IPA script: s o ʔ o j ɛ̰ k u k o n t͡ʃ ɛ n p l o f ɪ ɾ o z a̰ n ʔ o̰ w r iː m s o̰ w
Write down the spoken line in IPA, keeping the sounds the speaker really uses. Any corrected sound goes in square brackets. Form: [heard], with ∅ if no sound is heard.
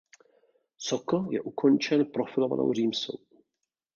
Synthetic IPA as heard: s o [k] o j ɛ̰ [ʔ] u k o n t͡ʃ ɛ n p [ɾ] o f ɪ [l] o [v] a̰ n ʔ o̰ w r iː m s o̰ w